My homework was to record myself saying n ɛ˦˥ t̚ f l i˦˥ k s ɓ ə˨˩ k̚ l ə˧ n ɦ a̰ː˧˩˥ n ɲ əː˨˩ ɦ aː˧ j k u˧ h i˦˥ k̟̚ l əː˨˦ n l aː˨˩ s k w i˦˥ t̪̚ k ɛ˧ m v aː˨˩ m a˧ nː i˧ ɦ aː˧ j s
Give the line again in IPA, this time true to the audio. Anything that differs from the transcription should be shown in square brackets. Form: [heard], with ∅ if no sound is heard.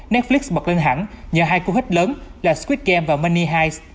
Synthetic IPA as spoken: n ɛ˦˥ t̚ f l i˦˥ k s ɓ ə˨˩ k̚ l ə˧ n ɦ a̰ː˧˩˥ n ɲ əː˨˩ ɦ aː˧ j k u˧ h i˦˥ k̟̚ l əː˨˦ n l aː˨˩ s k w i˦˥ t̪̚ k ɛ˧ m v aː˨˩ m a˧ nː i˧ ɦ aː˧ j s